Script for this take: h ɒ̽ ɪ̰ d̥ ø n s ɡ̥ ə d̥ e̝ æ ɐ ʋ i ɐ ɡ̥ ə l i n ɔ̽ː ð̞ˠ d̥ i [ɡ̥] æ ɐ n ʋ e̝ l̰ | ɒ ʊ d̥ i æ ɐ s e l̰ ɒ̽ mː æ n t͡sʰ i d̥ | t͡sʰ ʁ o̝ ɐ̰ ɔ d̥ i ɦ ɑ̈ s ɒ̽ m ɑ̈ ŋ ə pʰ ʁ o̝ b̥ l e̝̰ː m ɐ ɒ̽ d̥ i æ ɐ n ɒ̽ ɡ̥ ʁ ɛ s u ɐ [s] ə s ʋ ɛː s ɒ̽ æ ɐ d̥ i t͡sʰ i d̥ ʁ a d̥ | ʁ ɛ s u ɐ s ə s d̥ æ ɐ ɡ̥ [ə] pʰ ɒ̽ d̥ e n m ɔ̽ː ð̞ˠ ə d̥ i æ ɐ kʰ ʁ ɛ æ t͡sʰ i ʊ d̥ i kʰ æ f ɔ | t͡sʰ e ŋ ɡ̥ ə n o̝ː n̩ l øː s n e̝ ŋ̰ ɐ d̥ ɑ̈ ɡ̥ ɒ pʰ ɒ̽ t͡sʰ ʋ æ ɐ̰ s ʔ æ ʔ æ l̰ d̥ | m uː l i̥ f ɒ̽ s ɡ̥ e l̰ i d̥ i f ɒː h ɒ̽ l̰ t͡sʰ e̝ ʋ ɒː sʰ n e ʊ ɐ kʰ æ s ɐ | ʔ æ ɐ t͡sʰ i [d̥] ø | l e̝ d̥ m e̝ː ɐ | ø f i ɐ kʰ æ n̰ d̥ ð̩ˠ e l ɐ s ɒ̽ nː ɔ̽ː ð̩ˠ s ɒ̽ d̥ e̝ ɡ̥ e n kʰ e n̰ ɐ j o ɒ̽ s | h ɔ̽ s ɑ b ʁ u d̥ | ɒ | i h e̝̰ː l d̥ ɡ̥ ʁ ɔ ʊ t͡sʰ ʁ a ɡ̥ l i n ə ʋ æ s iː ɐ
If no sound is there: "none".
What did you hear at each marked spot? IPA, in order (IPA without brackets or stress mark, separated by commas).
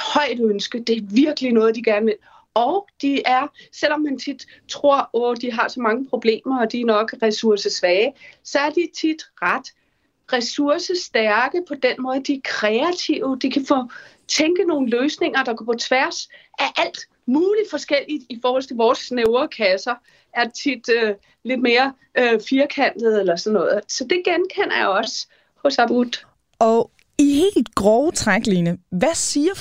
ɡ̥, s, ə, d̥